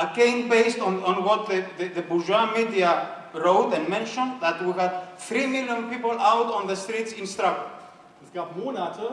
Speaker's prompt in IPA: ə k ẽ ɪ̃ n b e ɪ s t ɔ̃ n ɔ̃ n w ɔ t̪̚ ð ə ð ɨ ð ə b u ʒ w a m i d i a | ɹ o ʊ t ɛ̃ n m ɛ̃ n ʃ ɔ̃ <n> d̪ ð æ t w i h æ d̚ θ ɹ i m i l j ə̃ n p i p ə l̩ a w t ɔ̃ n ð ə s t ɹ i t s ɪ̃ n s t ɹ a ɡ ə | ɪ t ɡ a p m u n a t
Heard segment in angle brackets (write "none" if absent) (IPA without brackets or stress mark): n